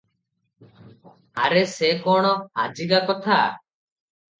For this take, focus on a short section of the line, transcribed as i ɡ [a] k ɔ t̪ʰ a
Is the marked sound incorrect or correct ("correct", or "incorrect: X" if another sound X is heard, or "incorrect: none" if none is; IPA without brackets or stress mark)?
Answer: correct